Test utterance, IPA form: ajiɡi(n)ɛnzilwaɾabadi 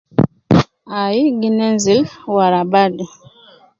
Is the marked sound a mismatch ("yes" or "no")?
no